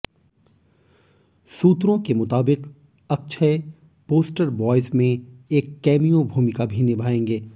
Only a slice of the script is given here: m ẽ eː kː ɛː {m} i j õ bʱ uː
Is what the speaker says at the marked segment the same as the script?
yes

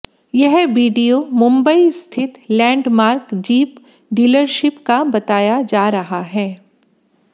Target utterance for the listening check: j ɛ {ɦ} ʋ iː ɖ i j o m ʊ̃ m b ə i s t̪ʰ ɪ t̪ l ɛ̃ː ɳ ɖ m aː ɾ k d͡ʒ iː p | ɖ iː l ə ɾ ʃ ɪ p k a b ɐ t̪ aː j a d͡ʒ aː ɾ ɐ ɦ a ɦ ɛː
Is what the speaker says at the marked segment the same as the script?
yes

